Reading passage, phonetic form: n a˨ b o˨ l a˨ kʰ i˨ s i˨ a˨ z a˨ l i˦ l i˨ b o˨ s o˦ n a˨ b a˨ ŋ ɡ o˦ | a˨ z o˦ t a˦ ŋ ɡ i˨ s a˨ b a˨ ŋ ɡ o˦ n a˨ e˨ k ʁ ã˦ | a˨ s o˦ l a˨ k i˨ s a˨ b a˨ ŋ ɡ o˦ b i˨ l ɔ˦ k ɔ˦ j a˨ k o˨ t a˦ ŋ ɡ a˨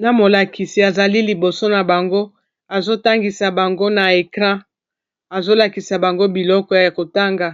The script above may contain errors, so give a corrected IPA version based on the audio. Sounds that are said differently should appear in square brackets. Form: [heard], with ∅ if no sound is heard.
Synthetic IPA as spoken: n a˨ [m] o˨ l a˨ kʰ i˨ s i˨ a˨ z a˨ l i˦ l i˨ b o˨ s o˦ n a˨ b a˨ ŋ ɡ o˦ | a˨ z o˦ t a˦ ŋ ɡ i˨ s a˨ b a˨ ŋ ɡ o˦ n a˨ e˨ k ʁ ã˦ | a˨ [z] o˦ l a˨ k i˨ s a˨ b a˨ ŋ ɡ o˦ b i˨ l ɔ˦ k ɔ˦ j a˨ k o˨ t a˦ ŋ ɡ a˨